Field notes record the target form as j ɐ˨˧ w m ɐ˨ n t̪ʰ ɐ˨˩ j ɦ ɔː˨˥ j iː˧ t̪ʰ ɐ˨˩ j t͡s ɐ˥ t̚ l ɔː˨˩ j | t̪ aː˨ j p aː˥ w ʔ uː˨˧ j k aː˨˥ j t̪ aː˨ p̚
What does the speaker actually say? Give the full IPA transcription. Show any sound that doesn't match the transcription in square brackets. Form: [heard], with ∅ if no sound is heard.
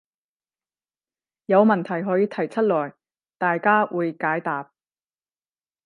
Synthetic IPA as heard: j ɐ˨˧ w m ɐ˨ n t̪ʰ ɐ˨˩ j ɦ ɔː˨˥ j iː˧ t̪ʰ ɐ˨˩ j [t͡sʰ] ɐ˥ t̚ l ɔː˨˩ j | t̪ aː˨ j [k] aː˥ w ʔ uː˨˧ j k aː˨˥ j t̪ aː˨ p̚